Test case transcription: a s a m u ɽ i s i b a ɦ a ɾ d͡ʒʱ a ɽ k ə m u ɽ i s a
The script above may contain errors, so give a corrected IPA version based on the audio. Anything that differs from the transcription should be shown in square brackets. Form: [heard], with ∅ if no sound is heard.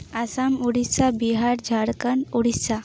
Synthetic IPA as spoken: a s a m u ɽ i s [a] b [i] ɦ a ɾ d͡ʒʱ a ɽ k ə [n] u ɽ i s a

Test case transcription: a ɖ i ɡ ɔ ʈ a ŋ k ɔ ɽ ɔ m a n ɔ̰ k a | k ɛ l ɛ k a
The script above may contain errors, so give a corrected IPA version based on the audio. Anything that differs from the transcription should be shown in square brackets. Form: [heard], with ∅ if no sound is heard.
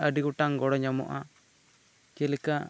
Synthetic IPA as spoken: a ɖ i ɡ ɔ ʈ a ŋ [ɡ] ɔ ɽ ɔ [ɲ] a [m] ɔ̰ [ʔ] a | k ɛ l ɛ k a

